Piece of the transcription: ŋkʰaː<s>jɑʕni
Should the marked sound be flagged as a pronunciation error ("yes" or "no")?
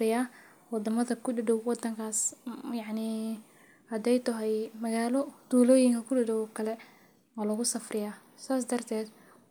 no